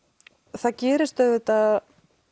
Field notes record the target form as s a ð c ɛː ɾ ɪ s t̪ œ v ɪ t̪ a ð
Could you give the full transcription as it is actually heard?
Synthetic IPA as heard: θ a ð c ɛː ɾ ɪ s t̪ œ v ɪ t̪ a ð

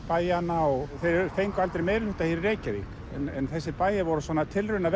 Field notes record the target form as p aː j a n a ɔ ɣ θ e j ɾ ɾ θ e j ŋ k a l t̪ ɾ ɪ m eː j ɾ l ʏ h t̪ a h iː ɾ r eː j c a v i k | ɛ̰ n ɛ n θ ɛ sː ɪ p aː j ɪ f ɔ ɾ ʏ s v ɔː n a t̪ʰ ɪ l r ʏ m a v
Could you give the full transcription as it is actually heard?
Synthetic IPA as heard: p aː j a n a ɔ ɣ θ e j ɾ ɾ θ e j ŋ k a l t̪ ɾ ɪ m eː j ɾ l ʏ h t̪ a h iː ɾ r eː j c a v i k | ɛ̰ n ɛ n θ ɛ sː ɪ p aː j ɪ v ɔ ɾ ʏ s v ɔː n a t̪ʰ ɪ l r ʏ n a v

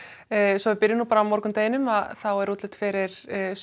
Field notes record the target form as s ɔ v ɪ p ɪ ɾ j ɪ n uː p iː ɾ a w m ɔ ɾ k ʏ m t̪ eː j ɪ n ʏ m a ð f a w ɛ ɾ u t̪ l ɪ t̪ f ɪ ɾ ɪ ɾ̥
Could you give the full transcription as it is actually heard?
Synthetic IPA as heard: s ɔ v ɪ p ɪ ɾ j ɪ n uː p aː ɾ a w m ɔ ɾ k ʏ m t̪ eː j ɪ n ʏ m a ð θ a w ɛ ɾ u t̪ l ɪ t̪ f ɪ ɾ ɪ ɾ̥

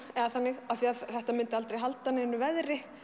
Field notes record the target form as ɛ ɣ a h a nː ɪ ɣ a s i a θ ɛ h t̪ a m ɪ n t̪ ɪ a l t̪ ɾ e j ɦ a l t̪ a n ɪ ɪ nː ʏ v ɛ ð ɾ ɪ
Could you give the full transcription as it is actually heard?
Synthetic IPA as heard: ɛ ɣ a θ a nː ɪ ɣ a θ i a θ ɛ h t̪ a m ɪ n t̪ ɪ a l t̪ ɾ e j ɦ a l t̪ a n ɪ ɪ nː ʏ v ɛ ð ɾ ɪ

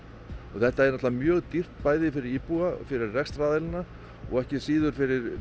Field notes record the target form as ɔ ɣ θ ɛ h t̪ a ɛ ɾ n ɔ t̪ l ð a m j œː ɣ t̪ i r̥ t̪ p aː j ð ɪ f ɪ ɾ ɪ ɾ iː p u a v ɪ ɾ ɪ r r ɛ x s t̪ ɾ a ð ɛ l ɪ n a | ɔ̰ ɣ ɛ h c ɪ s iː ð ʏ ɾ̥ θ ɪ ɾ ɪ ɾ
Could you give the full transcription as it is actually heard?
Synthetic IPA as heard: ɔ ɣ θ ɛ h t̪ a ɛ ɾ n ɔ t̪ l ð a m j œː ɣ t̪ i r̥ t̪ p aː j ð ɪ f ɪ ɾ ɪ ɾ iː p u a f ɪ ɾ ɪ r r ɛ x s t̪ ɾ a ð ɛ l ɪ n a | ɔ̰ ɣ ɛ h c ɪ s iː ð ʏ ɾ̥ f ɪ ɾ ɪ ɾ

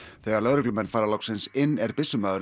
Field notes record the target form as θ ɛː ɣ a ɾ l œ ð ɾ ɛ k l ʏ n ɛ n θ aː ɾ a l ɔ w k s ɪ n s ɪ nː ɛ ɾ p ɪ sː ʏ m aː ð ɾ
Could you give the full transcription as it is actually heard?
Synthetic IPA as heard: θ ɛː ɣ a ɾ l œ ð ɾ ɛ k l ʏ m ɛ n f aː ɾ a l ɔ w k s ɪ n s ɪ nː ɛ ɾ p ɪ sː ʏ m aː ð ɾ

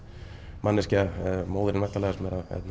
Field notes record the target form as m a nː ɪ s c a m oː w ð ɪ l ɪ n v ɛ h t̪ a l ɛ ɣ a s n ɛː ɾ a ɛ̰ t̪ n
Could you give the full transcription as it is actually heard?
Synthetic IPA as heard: m a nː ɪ s c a m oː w ð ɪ ɾ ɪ n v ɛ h t̪ a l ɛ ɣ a s m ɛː ɾ a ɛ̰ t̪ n

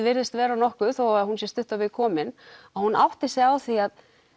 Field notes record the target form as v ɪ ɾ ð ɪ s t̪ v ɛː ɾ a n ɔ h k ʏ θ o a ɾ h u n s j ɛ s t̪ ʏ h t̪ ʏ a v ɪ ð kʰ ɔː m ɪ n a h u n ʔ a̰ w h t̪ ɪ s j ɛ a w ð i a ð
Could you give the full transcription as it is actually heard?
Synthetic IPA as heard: v ɪ ɾ ð ɪ s t̪ v ɛː ɾ a n ɔ h k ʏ θ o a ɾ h u n s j ɛ s t̪ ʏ h t̪ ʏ a v ɪ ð kʰ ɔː m ɪ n a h u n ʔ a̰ w h t̪ ɪ s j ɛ a w θ i a ð

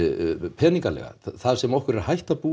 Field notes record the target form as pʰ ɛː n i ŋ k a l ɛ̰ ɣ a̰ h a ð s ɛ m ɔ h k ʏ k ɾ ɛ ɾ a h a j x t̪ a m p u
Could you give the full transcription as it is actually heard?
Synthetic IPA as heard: pʰ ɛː n i ŋ k a l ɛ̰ ɣ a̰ θ a ð s ɛ m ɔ h k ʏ ɾ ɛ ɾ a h a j h t̪ a p u

